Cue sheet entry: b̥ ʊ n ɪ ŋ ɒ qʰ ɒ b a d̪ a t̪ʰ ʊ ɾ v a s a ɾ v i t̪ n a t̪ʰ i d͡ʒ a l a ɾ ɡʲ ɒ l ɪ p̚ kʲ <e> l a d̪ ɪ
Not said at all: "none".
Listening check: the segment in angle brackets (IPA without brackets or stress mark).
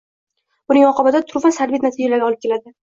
e